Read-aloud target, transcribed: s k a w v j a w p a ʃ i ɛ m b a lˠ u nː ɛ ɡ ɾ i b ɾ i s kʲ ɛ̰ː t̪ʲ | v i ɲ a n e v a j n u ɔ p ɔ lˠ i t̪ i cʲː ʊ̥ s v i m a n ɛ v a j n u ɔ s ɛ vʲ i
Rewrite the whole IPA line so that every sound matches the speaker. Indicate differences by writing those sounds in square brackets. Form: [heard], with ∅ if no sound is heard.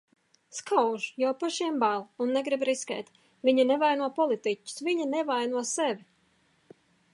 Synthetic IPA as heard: s k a w [ʒ] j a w p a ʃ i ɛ m b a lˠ u nː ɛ ɡ ɾ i b ɾ i s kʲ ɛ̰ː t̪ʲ | v i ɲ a n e v a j n u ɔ p ɔ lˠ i t̪ i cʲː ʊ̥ s v i [ɲ] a n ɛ v a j n u ɔ s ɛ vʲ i